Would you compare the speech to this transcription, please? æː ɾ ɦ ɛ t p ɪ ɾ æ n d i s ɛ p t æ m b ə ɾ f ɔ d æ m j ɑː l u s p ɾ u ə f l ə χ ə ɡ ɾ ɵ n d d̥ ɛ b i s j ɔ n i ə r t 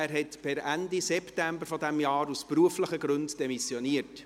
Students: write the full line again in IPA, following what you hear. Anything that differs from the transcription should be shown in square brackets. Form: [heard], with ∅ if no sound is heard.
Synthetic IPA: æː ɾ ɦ ɛ t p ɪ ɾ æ n d i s ɛ p t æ m b ə ɾ f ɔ d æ m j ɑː [ɾ] u s p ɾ u ə f l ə χ ə ɡ ɾ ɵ n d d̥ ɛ [m] i s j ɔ n i ə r t